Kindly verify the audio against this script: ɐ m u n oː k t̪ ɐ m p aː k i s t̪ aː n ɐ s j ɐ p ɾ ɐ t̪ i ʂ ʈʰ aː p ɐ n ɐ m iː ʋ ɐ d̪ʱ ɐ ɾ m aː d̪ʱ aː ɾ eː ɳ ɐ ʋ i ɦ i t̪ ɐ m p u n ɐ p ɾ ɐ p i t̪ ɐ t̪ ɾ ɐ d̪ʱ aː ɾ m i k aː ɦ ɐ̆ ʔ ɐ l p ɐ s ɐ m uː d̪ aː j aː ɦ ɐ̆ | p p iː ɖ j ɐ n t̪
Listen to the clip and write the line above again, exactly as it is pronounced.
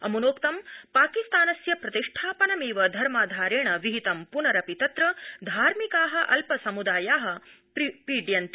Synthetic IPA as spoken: ɐ m u n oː k t̪ ɐ m p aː k i s t̪ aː n ɐ s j ɐ p ɾ ɐ t̪ i ʂ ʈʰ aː p ɐ n ɐ m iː ʋ ɐ d̪ʱ ɐ ɾ m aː d̪ʱ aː ɾ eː ɳ ɐ ʋ i ɦ i t̪ ɐ m p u n ɐ ɾ ɐ p i t̪ ɐ t̪ ɾ ɐ d̪ʱ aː ɾ m i k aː ɦ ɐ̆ ʔ ɐ l p ɐ s ɐ m u d̪ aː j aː ɦ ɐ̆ | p p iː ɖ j ɐ n t̪